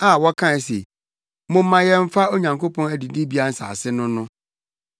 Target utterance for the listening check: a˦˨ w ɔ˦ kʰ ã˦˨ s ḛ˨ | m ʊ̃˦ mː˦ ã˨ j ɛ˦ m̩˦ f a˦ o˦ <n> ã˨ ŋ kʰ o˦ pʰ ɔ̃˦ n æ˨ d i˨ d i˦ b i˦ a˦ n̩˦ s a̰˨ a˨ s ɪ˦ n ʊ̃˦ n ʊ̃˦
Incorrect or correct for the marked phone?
incorrect: ɲ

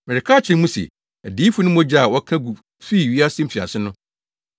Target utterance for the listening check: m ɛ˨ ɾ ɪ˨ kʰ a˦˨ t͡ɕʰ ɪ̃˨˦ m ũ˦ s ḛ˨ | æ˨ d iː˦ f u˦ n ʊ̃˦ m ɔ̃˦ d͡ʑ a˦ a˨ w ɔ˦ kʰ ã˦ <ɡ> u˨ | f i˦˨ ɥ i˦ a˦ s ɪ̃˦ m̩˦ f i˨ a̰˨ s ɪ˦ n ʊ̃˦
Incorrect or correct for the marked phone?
correct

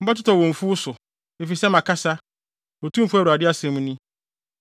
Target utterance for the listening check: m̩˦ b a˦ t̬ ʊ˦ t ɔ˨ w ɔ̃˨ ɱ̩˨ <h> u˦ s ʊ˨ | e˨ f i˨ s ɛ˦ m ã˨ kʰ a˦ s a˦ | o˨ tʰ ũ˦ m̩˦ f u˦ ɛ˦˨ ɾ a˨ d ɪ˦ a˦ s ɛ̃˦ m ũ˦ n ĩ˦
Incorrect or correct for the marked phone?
incorrect: f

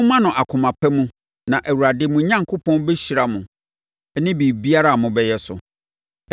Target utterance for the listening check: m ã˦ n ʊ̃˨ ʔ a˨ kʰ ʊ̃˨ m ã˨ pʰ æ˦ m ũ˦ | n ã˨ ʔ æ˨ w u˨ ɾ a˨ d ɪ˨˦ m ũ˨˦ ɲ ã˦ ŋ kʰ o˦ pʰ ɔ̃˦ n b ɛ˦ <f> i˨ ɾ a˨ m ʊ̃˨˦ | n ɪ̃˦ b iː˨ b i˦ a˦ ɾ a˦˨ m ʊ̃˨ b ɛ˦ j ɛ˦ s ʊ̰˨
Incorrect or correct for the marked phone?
incorrect: ɕ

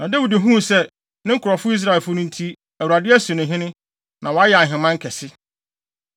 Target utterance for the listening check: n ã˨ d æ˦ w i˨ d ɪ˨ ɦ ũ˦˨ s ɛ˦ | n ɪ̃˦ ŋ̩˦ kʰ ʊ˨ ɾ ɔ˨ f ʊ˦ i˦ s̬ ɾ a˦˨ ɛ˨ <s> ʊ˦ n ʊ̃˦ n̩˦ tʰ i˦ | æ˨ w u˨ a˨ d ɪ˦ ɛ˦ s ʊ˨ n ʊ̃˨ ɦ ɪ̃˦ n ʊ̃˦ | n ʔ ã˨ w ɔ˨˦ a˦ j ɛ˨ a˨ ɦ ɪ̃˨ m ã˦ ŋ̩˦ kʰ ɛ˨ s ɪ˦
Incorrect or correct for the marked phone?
incorrect: f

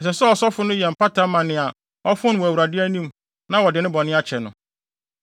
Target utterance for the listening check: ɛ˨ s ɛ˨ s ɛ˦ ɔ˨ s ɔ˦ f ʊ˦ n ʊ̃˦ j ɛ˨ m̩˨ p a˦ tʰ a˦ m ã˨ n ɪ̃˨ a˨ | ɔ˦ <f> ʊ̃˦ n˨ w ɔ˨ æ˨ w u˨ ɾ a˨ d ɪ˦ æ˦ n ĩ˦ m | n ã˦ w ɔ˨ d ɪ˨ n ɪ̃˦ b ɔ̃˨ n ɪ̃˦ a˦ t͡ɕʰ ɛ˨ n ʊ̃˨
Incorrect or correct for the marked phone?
correct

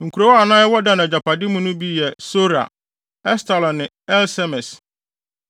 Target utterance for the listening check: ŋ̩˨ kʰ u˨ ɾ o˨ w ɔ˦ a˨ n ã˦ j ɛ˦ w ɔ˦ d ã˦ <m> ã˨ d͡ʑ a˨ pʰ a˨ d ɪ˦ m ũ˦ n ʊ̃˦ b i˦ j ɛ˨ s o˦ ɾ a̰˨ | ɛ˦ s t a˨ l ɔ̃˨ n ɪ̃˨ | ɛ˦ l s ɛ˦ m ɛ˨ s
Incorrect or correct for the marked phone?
incorrect: n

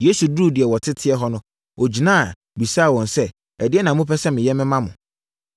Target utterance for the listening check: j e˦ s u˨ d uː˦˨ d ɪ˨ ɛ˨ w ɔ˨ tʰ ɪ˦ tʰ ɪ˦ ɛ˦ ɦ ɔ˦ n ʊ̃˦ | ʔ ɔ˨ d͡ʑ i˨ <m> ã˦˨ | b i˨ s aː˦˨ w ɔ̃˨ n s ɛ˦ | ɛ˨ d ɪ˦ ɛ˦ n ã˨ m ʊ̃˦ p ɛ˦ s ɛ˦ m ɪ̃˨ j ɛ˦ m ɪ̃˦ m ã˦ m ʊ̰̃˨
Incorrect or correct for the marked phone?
incorrect: n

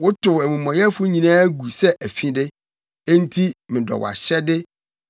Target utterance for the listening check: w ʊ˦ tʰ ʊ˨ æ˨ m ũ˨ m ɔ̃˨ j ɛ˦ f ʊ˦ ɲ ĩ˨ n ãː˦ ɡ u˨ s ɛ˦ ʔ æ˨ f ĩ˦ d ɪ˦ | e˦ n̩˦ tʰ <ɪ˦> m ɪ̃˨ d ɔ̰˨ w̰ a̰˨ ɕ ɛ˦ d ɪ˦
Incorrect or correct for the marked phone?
incorrect: i˦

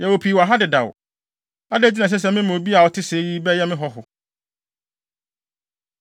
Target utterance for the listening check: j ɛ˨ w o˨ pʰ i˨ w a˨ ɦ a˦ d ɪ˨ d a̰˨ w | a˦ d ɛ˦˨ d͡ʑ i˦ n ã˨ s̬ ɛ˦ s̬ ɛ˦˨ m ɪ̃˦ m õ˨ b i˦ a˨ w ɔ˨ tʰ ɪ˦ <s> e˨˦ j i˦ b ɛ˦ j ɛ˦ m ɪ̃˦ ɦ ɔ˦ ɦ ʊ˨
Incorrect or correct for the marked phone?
correct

